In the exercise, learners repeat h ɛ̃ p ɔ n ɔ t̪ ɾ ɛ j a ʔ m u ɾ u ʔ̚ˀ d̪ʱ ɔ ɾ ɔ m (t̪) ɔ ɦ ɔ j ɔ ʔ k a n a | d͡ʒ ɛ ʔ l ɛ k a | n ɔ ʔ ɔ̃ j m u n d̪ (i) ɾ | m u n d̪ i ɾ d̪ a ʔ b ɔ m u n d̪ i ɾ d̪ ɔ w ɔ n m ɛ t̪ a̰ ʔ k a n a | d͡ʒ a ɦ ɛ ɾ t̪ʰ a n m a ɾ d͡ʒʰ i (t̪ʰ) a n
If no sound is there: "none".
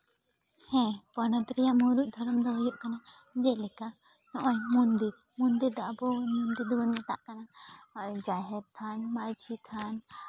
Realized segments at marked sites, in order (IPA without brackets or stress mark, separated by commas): d̪, i, t̪ʰ